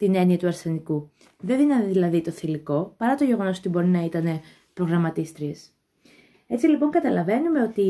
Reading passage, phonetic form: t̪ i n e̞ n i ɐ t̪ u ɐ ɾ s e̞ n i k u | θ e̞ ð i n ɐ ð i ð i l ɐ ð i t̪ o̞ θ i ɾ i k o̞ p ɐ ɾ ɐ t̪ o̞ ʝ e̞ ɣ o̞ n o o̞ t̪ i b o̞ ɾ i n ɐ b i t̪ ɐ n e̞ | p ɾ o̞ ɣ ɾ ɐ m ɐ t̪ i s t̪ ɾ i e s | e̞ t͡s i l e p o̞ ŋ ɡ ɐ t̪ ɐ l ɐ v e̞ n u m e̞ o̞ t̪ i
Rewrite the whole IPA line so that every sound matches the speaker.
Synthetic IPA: t̪ i n e̞ n i ɐ t̪ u ɐ ɾ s e̞ n i k u | ð e̞ ð i n ɐ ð i ð i l ɐ ð i t̪ o̞ θ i l i k o̞ p ɐ ɾ ɐ t̪ o̞ ʝ e̞ ɣ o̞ n o o̞ t̪ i b o̞ ɾ i n ɐ i t̪ ɐ n e̞ | p ɾ o̞ ɣ ɾ ɐ m ɐ t̪ i s t̪ ɾ i e s | e̞ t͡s i l i p o̞ ŋ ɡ ɐ t̪ ɐ l ɐ v e̞ n u m e̞ o̞ t̪ i